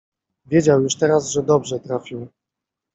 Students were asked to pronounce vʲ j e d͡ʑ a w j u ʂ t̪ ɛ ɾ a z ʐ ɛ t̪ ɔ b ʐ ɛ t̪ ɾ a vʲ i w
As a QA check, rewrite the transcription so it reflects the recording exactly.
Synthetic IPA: vʲ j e d͡ʑ a w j u ʂ t̪ ɛ ɾ a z ʐ ɛ d̪ ɔ b ʐ ɛ t̪ ɾ a fʲ i w